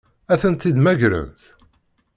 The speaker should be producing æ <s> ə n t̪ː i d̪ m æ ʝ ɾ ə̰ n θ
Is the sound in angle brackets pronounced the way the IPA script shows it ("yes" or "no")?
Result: no